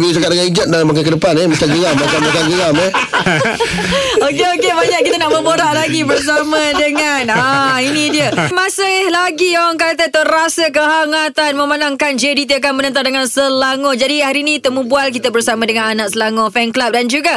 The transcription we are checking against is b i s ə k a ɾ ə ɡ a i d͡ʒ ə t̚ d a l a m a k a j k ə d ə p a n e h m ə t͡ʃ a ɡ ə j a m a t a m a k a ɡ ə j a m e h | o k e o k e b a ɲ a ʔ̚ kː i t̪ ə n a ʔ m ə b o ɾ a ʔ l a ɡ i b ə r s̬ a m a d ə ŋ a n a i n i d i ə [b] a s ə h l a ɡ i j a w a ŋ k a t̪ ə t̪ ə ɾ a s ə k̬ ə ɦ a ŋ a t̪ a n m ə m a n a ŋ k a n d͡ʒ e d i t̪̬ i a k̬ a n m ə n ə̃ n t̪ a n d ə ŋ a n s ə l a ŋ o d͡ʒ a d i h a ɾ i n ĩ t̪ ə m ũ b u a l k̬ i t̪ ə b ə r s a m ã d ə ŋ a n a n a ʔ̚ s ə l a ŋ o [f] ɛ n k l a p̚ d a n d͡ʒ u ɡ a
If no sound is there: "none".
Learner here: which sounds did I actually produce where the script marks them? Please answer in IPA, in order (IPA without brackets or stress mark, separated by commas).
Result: m, f